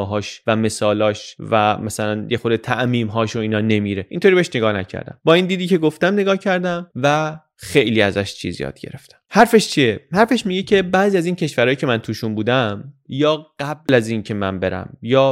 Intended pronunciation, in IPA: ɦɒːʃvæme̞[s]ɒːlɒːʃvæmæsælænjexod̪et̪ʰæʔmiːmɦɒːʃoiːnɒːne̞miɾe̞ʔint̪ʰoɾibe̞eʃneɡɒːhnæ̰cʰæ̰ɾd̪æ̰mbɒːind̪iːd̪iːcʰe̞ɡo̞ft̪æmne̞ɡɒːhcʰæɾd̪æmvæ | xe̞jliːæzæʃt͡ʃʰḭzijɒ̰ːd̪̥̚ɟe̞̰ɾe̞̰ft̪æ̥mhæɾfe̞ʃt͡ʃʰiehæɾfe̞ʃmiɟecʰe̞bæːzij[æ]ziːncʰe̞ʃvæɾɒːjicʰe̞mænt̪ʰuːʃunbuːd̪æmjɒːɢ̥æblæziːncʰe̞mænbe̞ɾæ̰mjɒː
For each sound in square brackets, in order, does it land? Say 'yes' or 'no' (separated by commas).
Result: yes, yes